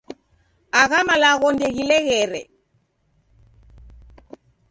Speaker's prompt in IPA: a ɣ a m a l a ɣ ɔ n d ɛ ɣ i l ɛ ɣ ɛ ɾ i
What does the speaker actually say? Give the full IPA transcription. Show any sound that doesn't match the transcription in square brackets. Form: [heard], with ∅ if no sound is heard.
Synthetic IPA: a ɣ a m a l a ɣ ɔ n d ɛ ɣ i l ɛ ɣ ɛ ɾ [ɛ]